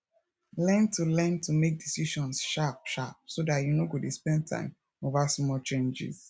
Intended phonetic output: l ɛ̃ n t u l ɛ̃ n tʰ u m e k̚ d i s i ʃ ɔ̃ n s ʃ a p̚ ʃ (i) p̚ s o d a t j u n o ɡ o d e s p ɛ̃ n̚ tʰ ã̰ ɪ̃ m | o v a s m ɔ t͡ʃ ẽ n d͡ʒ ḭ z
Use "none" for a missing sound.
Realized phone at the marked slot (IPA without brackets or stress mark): a